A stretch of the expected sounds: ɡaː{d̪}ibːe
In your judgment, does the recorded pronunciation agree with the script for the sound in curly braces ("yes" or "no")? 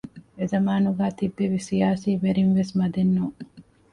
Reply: no